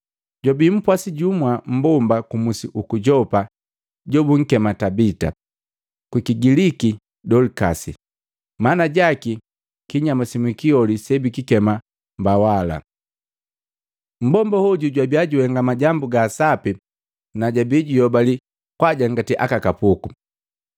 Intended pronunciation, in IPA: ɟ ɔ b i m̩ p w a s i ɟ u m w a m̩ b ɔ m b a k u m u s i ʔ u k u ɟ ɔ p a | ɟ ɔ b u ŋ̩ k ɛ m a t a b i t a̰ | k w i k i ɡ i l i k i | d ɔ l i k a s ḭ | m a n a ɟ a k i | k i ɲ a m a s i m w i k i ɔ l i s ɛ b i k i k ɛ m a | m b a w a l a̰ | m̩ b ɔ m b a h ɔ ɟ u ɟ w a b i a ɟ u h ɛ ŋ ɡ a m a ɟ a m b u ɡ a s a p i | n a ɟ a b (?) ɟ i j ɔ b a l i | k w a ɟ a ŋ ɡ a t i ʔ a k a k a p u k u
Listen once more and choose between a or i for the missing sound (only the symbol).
i